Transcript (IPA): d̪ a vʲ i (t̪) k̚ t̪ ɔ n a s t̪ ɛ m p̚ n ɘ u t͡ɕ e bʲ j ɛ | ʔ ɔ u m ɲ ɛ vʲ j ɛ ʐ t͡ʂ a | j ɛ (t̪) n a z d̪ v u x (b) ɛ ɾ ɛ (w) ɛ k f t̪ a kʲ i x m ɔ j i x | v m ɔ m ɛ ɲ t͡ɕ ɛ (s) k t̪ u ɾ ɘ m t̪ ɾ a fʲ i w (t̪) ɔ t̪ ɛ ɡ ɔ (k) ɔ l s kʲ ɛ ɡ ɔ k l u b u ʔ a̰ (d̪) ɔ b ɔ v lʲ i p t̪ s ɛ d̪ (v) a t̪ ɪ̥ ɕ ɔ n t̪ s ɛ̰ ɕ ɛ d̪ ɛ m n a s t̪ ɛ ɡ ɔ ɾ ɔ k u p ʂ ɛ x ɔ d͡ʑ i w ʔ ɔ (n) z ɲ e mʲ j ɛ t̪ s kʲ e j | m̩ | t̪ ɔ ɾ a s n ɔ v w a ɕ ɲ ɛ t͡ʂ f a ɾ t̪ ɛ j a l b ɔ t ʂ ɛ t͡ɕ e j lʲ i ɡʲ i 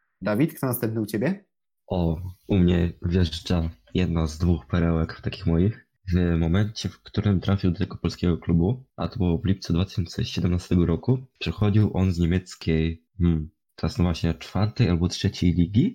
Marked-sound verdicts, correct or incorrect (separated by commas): correct, incorrect, incorrect, correct, incorrect, incorrect, incorrect, incorrect, correct, correct